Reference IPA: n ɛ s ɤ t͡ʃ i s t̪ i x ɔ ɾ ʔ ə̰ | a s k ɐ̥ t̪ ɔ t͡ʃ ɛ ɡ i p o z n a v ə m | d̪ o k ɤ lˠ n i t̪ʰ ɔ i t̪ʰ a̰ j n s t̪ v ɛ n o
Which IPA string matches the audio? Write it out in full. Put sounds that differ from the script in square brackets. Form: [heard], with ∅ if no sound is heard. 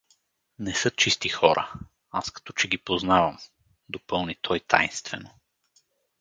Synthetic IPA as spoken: n ɛ s ɤ t͡ʃ i s t̪ i x ɔ ɾ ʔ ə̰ | a s k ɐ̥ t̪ ɔ t͡ʃ ɛ ɡ i p o z n a v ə m | d̪ o [p] ɤ lˠ n i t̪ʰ ɔ [j] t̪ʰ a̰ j n s t̪ v ɛ n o

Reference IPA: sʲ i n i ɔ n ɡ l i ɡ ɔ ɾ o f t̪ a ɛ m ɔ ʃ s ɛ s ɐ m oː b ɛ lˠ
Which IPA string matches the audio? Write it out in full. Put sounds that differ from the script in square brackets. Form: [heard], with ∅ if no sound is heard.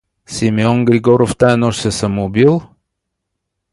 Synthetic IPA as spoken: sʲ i [m] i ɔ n ɡ [ɾ] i ɡ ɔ ɾ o f t̪ a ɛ [n] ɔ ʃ s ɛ s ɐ m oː b [i] lˠ

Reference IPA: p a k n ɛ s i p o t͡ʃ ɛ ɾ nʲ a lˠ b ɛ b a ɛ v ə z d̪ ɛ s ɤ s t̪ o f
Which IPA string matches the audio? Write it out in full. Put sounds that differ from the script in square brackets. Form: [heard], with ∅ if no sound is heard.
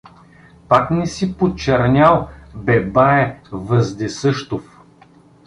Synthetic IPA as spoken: p a k n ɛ s i p o t͡ʃ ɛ ɾ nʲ a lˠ b ɛ b a ɛ v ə z d̪ ɛ s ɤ [ʃ] t̪ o f

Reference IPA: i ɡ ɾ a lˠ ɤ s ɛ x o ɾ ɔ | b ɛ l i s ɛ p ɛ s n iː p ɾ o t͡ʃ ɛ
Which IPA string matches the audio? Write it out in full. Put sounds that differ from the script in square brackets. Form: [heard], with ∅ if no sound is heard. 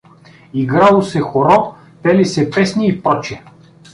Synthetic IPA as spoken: i ɡ ɾ a lˠ [o] s ɛ x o ɾ ɔ | [p] ɛ l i s ɛ p ɛ s n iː p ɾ [ɔ] t͡ʃ ɛ

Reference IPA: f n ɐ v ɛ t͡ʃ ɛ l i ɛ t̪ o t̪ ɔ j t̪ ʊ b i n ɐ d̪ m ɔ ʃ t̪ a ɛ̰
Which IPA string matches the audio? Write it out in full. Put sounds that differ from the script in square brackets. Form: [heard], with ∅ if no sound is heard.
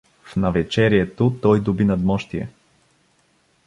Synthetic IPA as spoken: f n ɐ v ɛ t͡ʃ ɛ [ɾ] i ɛ t̪ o t̪ ɔ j [d̪] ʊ b i n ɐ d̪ m ɔ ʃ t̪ [i] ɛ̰

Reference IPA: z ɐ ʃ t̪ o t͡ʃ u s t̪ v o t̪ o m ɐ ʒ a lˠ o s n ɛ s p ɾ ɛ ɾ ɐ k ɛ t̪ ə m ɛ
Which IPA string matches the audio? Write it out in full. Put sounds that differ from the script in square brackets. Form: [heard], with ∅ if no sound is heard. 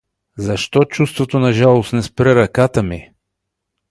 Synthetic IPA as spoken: z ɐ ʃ t̪ [ɔ] t͡ʃ u s t̪ v o t̪ o [n] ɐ ʒ a lˠ o s n ɛ s p ɾ ɛ ɾ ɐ k [a] t̪ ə m [i]

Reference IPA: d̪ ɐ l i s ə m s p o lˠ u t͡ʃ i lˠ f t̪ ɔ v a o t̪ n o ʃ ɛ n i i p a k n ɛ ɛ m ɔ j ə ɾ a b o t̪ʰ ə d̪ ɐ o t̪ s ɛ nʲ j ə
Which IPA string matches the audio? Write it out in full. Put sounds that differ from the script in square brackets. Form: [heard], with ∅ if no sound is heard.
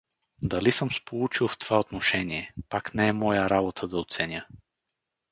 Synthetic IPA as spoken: d̪ ɐ l i s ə m s p o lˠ u t͡ʃ i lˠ f t̪ [o] v a o t̪ n o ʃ ɛ n i [ɛ] p a k n ɛ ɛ m ɔ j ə ɾ a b o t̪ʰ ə d̪ ɐ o t̪ s ɛ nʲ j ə

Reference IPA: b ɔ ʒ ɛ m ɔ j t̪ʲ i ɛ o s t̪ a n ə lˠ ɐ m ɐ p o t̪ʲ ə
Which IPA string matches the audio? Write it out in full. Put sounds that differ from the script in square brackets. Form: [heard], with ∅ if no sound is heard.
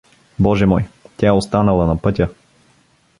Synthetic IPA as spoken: b ɔ ʒ ɛ m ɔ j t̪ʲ [a] ɛ o s t̪ a n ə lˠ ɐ [n] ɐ p [ɤ] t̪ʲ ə

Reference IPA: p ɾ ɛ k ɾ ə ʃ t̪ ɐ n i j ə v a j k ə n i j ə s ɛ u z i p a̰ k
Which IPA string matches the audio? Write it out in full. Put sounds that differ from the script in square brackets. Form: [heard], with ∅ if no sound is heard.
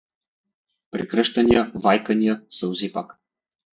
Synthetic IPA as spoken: p ɾ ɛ k ɾ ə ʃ t̪ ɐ n i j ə v a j k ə n i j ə s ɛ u z i p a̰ k

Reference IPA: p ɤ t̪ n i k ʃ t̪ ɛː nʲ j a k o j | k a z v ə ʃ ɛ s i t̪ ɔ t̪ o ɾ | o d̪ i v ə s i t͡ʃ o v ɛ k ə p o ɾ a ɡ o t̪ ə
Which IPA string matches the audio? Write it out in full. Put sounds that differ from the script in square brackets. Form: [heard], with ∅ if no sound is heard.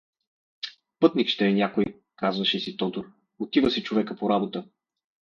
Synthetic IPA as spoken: p ɤ t̪ n i k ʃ t̪ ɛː nʲ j a k o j | k a z v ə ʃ ɛ s i t̪ ɔ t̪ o ɾ | o [t̪] i v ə s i t͡ʃ o v ɛ k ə p o ɾ a [b] o t̪ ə

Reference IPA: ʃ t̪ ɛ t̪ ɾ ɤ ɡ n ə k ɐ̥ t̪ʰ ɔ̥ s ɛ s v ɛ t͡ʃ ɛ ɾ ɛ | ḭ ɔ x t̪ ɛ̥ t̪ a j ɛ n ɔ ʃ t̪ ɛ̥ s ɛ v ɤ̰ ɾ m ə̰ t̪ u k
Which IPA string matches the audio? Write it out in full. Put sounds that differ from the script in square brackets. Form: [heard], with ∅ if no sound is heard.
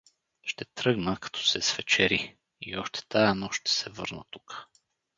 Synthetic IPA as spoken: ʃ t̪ ɛ t̪ ɾ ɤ ɡ n ə k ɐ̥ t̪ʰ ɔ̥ s ɛ s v ɛ t͡ʃ ɛ ɾ [i] | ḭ ɔ [ʃ] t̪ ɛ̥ t̪ a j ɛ n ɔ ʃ t̪ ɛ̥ s ɛ v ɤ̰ ɾ [n] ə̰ t̪ u k

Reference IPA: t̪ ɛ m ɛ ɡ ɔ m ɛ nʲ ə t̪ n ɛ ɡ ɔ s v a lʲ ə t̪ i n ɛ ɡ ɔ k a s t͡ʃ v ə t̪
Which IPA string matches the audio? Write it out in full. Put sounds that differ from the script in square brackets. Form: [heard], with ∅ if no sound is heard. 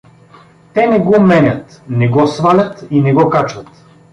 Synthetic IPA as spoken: t̪ ɛ [n] ɛ ɡ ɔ m ɛ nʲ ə t̪ n ɛ ɡ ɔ s v a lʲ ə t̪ i n ɛ ɡ ɔ k a [∅] t͡ʃ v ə t̪

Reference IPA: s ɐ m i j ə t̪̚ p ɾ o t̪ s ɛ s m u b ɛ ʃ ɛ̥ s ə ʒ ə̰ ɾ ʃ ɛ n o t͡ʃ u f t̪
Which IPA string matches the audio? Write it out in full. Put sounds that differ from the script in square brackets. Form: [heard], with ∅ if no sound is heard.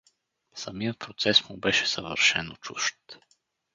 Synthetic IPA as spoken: s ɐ m i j ə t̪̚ p ɾ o t̪ s ɛ s m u b ɛ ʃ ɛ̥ s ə [v] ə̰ ɾ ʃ ɛ n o t͡ʃ u [ʃ] t̪

